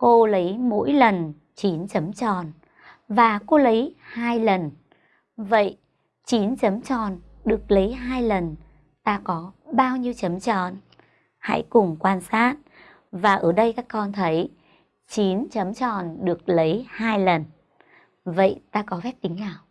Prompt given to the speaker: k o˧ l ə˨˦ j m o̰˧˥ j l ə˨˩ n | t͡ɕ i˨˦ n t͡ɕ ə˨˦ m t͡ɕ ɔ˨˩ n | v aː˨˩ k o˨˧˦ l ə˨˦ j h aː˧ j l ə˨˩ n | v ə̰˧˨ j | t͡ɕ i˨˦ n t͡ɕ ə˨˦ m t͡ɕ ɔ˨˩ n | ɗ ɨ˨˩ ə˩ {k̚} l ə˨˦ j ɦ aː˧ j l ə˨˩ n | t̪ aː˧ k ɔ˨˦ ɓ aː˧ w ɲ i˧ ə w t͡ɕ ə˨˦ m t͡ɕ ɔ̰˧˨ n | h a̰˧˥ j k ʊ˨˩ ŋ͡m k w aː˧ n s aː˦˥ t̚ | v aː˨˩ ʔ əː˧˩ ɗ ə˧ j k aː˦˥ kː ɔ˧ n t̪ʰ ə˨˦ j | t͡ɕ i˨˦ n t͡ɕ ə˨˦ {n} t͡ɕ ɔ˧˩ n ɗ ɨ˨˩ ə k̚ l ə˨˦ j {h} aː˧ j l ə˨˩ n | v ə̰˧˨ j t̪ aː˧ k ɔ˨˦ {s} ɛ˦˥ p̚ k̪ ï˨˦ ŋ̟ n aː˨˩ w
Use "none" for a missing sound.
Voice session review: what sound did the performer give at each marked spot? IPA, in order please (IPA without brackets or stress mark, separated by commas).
k̚, m, h, f